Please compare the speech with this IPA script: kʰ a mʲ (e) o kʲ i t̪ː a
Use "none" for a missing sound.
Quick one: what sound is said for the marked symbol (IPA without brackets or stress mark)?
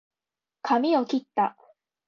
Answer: i